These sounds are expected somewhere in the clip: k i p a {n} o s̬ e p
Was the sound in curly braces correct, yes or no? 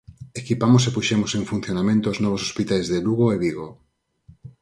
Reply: no